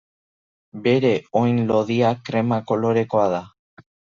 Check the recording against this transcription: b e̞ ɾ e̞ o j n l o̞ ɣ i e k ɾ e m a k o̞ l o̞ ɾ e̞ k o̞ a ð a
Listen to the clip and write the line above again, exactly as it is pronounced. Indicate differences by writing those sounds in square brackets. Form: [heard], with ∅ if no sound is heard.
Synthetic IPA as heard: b e̞ ɾ e̞ o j n l o̞ [ð] i [a] k ɾ e m a k o̞ l o̞ ɾ e̞ k o̞ a ð a